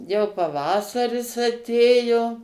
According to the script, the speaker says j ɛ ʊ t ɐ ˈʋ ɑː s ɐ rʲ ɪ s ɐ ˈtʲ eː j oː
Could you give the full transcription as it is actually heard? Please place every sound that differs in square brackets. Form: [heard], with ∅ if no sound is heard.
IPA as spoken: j ɛ ʊ [p] ɐ ˈʋ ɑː s ɐ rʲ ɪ s ɐ ˈtʲ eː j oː